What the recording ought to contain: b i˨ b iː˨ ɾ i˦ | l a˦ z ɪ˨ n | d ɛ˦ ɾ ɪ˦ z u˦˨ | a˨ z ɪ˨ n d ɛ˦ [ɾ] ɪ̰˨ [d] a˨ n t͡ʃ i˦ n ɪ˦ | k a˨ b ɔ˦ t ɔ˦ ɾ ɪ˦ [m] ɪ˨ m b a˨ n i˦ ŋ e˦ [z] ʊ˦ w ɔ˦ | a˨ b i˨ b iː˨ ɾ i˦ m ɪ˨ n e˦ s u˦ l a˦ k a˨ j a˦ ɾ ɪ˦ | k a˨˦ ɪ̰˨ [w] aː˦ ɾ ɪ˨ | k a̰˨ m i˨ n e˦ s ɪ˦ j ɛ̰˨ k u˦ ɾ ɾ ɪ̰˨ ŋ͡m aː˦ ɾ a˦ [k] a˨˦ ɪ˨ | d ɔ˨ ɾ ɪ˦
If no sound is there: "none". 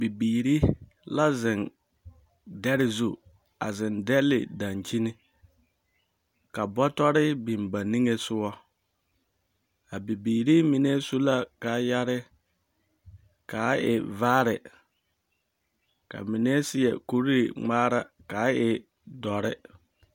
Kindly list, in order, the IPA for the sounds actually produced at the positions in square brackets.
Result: l, d, b, s, v, k

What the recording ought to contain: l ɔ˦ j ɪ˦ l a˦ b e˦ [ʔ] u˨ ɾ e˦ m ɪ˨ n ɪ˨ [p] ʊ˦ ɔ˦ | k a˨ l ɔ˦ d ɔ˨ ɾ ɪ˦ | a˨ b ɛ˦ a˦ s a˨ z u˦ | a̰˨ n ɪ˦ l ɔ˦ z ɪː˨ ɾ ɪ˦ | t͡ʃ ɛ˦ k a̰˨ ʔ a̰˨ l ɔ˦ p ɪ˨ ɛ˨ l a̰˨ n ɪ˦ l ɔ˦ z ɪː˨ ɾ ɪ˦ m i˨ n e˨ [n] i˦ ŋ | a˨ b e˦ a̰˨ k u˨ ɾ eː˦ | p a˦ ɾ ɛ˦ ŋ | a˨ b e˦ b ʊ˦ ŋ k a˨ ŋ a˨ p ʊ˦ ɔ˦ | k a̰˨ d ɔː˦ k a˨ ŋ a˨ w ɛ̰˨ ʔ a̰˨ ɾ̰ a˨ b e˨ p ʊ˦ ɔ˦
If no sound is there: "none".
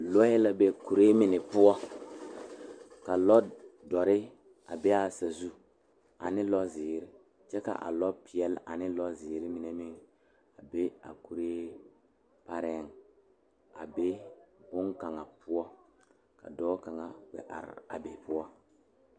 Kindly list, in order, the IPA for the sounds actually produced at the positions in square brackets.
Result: k, p, m

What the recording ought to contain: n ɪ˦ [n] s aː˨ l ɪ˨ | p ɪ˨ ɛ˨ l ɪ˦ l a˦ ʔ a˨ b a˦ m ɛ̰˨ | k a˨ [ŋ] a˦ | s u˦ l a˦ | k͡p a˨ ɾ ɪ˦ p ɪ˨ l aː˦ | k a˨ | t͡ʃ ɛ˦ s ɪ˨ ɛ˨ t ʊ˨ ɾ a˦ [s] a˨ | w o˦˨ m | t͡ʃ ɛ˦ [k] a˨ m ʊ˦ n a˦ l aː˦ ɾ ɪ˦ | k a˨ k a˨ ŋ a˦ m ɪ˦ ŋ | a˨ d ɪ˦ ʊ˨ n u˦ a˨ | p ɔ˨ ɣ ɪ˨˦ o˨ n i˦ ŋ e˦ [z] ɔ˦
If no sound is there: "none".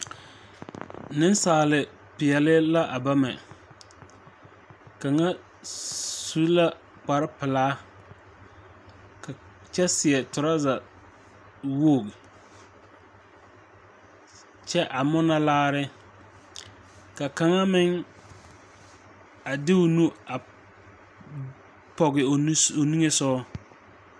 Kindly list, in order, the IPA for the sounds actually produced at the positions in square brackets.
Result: n, ŋ, z, ʔ, s

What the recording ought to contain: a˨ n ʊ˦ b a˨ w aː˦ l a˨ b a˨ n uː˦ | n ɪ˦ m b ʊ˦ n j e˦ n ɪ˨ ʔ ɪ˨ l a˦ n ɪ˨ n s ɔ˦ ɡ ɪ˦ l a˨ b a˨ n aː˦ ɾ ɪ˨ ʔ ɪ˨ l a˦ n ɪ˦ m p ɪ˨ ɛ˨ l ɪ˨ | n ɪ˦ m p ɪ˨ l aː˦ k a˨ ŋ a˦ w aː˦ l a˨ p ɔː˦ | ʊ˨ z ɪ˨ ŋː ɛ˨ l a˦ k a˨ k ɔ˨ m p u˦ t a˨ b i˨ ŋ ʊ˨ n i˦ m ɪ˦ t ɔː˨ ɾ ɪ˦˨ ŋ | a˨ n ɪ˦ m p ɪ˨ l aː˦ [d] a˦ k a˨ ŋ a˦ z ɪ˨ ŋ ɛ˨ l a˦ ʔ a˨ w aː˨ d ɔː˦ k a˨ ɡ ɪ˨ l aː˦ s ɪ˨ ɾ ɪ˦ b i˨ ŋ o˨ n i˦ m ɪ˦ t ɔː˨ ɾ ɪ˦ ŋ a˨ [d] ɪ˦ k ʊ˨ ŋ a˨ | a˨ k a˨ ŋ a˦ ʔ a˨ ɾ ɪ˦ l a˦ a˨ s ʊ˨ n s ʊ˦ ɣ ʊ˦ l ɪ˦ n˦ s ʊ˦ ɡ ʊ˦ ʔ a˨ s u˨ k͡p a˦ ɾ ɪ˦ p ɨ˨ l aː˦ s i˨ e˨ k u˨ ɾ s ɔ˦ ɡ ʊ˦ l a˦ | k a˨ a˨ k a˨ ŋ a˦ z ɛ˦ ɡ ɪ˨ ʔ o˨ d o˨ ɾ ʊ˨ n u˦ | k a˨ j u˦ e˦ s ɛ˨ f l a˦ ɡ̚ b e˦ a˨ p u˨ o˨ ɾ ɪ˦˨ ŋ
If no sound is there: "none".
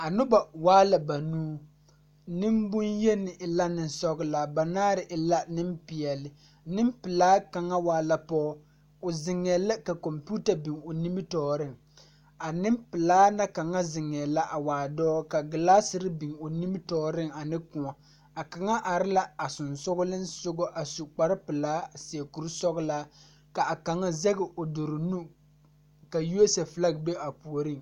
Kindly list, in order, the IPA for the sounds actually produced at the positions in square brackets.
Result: n, n

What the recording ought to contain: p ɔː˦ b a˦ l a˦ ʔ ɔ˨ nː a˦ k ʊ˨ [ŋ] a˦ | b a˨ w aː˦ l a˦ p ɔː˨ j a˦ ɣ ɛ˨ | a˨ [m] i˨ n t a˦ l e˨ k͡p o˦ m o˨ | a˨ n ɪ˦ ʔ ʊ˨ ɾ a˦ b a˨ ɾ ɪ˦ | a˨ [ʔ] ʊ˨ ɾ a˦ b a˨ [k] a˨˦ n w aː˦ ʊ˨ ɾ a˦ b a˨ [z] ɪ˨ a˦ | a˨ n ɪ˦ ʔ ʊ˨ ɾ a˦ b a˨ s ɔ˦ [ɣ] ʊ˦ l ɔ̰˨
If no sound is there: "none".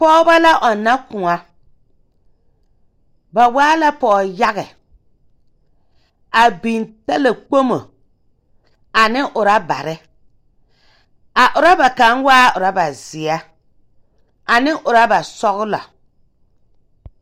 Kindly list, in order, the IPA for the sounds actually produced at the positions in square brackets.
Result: ŋ, b, ʔ, k, z, ɣ

